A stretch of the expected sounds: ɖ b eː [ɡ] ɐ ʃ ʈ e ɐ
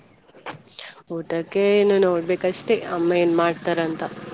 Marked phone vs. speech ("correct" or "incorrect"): incorrect